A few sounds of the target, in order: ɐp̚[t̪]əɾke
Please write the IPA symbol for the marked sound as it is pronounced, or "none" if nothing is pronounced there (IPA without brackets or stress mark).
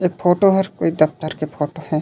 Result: t̪